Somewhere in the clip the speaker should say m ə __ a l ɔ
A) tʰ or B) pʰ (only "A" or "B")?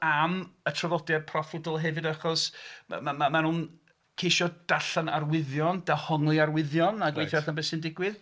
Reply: A